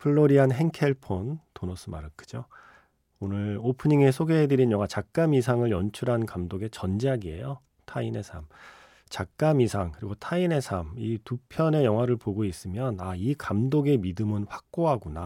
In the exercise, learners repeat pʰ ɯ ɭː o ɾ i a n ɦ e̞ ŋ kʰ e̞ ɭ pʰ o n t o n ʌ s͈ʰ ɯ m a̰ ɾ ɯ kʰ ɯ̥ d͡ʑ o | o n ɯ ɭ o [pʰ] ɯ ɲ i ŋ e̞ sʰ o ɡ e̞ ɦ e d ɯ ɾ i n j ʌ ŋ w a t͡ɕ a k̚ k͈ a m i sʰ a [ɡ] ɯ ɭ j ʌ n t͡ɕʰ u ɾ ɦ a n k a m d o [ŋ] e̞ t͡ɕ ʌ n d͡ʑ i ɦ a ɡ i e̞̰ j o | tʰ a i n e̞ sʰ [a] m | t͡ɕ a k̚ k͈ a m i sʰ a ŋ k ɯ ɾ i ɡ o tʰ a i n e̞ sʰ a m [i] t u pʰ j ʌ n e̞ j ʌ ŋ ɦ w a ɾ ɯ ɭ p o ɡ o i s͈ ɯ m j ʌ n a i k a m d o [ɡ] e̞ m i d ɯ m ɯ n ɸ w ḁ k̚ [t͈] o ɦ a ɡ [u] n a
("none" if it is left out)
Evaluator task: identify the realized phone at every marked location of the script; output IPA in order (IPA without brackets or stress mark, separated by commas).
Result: pʰ, ŋ, ɡ, a, i, ɡ, k͈, u